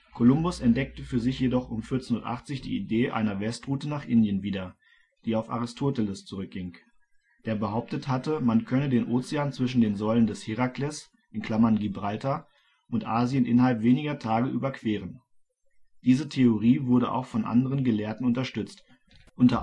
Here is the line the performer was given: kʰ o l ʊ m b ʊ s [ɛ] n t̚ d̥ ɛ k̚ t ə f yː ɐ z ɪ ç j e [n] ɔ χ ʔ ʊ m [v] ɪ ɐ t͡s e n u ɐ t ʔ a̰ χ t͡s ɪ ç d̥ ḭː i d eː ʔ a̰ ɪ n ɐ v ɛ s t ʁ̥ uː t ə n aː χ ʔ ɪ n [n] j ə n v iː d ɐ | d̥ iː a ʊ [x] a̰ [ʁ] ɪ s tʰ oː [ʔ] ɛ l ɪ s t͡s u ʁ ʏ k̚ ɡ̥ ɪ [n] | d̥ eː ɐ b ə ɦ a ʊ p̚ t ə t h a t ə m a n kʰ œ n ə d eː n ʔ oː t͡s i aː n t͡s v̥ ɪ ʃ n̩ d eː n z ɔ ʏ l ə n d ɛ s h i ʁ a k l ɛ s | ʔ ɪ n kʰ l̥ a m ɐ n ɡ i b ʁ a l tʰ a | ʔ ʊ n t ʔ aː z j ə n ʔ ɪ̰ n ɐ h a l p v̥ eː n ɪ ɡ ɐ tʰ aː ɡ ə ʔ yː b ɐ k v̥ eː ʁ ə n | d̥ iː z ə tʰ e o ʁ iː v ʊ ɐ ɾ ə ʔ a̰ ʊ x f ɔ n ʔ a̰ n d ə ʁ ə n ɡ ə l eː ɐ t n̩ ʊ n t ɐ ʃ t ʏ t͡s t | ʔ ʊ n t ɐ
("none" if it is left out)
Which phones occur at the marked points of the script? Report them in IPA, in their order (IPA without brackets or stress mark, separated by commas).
ɛ, d, f, d, f, ʁ, t, ŋ